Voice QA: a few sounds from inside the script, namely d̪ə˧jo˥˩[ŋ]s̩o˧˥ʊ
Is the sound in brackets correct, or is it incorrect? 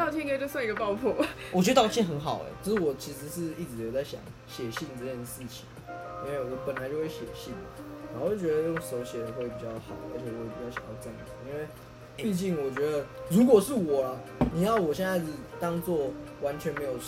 correct